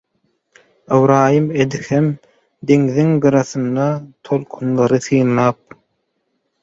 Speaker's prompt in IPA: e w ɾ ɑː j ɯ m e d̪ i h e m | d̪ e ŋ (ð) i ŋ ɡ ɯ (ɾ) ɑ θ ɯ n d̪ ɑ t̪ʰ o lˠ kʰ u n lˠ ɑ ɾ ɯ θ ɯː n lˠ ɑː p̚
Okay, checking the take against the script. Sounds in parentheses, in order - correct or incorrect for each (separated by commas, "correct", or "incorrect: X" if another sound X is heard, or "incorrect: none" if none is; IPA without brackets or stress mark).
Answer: correct, correct